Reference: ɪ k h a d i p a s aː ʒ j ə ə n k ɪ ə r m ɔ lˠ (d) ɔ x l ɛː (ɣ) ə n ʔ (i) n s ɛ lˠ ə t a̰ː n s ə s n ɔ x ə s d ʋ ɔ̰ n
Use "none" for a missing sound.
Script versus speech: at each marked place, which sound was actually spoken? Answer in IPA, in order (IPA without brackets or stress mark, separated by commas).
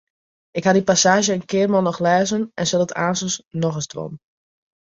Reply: n, z, ɛ